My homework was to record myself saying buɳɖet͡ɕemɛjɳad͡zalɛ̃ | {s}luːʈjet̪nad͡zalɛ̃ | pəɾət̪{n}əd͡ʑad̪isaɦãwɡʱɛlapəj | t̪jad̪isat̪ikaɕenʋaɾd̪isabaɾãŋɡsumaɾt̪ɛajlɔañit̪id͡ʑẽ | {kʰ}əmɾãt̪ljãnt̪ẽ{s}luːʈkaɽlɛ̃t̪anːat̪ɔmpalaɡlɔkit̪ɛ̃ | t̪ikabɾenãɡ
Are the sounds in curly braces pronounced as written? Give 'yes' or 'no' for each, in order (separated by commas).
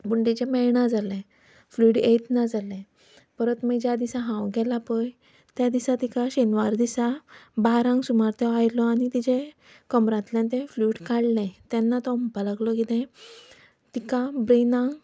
no, no, no, no